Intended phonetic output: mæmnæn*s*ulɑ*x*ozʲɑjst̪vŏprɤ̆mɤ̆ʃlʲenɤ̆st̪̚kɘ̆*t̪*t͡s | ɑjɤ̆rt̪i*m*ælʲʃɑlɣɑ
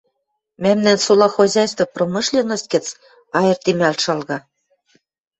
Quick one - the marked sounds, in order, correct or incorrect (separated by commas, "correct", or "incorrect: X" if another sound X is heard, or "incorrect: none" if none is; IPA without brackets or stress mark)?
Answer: correct, correct, incorrect: none, correct